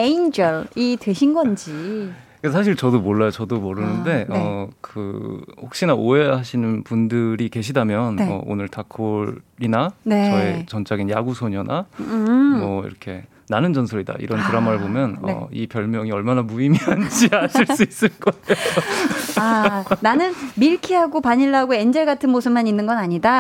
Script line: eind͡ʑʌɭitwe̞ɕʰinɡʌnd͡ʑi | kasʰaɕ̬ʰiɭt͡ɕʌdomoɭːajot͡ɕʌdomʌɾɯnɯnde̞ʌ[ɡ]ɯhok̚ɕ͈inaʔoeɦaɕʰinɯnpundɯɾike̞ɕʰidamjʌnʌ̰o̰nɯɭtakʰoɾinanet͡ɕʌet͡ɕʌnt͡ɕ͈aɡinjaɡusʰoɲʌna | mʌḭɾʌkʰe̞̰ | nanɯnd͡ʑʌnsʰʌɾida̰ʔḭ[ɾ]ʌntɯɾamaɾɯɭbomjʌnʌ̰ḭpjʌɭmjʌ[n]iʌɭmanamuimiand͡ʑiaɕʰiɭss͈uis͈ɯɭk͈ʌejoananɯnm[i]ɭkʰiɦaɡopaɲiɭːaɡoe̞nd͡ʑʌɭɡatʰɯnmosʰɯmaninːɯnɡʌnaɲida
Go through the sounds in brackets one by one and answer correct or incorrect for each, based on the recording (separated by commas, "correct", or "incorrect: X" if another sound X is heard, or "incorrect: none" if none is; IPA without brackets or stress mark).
incorrect: k, correct, incorrect: ŋ, correct